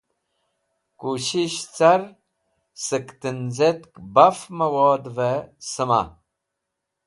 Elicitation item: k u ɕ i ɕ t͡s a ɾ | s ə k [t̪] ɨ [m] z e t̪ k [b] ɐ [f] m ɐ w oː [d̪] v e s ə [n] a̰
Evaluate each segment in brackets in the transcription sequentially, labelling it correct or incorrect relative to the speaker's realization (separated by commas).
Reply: correct, incorrect, correct, correct, correct, incorrect